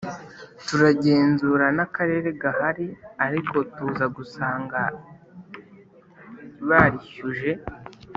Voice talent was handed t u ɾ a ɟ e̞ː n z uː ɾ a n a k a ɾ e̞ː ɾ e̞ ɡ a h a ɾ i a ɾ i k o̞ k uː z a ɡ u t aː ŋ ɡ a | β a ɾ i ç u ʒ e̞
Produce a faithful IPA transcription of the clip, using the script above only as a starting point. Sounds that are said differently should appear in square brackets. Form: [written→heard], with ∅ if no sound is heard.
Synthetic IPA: t u ɾ a ɟ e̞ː n z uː ɾ a n a k a ɾ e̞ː ɾ e̞ ɡ a h a ɾ i a ɾ i k o̞ [k→t] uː z a ɡ u [t→s] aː ŋ ɡ a | β a ɾ i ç u ʒ e̞